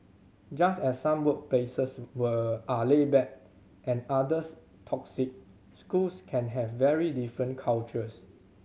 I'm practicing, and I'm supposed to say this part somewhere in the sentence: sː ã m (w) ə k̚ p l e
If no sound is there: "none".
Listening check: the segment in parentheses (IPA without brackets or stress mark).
w